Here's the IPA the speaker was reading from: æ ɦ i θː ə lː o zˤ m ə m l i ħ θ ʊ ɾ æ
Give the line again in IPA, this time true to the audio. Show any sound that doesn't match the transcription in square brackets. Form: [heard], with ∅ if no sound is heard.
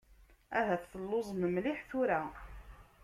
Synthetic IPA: æ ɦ [æ] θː ə lː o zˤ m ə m l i ħ θ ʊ ɾ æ